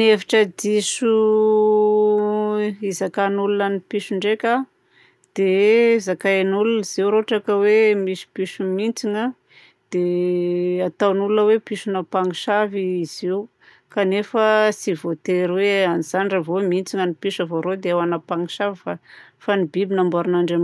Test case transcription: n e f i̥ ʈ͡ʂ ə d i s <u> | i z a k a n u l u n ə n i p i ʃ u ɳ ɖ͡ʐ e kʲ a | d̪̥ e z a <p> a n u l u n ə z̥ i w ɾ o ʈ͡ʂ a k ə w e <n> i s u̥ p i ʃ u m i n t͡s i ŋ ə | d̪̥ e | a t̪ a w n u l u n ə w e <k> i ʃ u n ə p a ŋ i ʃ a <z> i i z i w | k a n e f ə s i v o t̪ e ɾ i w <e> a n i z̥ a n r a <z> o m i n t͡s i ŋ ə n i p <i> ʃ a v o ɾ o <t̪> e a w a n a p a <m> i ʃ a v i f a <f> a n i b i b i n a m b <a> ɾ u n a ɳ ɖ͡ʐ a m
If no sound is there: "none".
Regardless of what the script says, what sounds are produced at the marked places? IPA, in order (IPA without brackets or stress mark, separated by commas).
u, k, m, p, v, e, v, i, d̪, ŋ, f, a